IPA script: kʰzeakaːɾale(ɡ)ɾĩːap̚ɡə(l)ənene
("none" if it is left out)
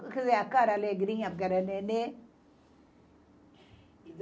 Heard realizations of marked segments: ɡ, ɾ

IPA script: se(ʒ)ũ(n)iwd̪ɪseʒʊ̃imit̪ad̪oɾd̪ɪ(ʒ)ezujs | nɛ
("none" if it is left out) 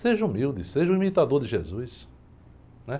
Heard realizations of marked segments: ʒ, m, ʒ

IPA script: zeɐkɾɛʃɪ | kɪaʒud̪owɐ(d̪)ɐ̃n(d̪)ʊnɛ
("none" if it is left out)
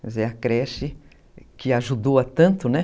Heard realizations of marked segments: t̪, t̪

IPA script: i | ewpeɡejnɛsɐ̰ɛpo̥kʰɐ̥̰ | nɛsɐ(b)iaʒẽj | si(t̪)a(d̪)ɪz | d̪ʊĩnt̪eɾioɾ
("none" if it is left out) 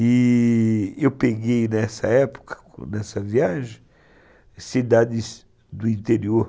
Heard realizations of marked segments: v, d̪, d̪

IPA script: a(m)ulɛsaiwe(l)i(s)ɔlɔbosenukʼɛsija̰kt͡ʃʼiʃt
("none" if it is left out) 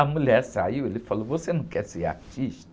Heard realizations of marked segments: m, l, f

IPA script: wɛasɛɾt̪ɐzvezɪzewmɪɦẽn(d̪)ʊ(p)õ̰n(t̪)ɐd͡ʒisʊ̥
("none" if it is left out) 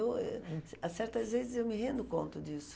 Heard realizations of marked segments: d̪, k, t̪

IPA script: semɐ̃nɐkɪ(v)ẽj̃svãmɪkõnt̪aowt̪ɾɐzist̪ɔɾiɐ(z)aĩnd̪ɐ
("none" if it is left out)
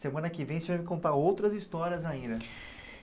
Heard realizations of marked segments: v, z

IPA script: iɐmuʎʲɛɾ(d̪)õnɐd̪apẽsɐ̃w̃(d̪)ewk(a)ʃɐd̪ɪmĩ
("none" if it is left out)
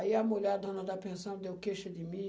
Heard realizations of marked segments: d̪, d̪, e

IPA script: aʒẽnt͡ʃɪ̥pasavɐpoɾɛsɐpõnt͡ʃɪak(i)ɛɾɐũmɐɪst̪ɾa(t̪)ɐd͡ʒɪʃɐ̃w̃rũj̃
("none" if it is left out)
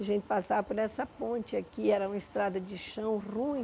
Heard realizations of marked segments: i, d̪

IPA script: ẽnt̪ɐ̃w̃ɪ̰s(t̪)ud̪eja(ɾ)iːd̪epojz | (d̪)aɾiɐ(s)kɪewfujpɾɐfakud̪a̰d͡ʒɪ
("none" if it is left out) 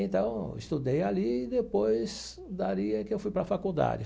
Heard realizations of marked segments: t̪, l, d̪, none

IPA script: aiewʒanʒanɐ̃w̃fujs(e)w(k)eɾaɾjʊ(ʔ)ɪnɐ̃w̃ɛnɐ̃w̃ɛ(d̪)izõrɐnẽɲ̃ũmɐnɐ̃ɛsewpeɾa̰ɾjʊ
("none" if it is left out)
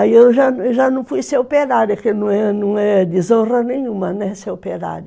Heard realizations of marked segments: e, p, k, d̪

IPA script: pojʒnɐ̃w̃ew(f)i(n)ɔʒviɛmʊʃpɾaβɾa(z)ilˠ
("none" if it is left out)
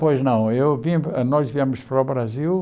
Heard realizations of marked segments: v, n, z

